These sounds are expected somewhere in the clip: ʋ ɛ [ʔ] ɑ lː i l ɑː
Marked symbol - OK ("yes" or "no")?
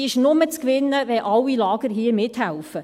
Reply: yes